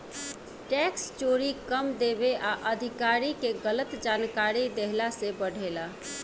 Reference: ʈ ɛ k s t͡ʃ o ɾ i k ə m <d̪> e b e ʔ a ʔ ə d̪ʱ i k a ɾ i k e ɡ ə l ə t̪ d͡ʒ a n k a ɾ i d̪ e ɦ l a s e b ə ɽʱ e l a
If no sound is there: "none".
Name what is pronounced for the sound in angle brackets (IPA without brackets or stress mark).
d̪